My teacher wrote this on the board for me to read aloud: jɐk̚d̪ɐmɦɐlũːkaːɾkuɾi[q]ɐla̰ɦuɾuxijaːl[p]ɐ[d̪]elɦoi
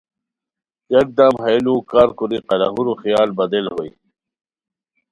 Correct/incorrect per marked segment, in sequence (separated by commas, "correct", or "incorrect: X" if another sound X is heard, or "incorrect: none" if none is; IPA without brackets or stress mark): correct, incorrect: b, correct